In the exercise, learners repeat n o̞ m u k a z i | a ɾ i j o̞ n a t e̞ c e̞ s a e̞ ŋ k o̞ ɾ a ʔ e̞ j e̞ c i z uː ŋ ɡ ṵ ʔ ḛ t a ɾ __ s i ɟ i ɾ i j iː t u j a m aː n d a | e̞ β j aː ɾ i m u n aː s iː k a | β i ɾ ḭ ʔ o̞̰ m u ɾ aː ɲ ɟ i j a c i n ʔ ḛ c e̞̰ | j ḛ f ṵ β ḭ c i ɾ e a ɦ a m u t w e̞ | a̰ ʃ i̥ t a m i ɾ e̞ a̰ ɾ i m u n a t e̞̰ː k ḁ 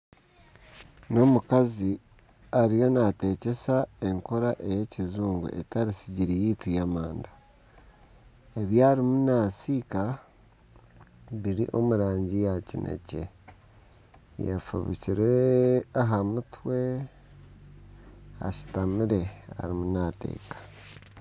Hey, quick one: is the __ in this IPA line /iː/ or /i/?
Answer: i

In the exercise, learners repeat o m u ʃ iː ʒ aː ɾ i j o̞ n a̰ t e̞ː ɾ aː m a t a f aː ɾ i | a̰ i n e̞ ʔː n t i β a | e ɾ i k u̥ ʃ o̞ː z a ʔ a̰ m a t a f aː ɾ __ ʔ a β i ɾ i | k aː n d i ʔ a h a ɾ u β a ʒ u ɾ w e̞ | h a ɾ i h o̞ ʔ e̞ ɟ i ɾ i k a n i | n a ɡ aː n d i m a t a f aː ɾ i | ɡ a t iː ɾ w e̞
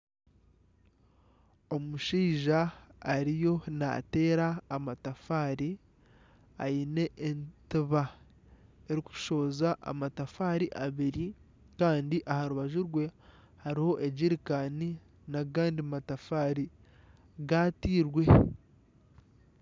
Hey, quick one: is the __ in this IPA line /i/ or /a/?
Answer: i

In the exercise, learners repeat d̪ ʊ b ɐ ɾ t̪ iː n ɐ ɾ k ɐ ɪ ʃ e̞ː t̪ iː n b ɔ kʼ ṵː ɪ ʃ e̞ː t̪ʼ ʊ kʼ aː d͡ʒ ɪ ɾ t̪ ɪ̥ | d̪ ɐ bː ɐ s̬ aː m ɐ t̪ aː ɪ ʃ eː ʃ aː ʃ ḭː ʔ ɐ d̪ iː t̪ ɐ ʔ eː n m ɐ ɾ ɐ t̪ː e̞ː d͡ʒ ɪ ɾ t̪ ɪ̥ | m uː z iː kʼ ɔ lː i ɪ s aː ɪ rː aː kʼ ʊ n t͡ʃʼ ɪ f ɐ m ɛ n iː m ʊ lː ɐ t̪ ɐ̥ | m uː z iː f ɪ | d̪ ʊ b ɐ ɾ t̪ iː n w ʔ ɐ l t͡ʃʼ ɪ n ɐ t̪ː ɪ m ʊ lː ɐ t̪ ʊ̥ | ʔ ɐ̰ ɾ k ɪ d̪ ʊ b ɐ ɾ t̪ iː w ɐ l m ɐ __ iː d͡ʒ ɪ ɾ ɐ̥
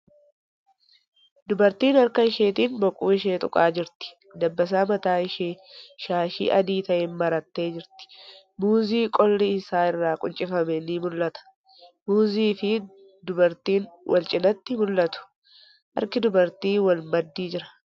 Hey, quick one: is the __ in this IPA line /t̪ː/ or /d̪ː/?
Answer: d̪ː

